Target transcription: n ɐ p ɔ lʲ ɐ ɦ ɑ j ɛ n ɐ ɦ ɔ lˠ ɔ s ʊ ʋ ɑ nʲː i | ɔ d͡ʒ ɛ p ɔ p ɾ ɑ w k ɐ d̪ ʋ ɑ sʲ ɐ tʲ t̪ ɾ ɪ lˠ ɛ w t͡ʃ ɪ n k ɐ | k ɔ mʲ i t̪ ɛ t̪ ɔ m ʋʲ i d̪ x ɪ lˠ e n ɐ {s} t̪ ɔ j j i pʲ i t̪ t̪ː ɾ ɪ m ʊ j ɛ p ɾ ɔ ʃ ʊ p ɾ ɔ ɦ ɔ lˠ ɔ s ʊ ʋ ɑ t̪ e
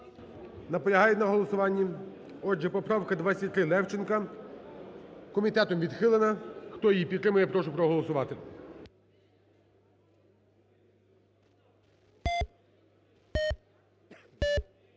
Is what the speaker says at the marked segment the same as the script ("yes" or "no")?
no